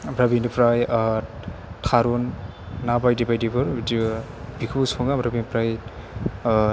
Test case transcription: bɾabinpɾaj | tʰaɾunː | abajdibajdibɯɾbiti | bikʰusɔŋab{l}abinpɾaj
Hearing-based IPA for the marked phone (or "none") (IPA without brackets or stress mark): ɾ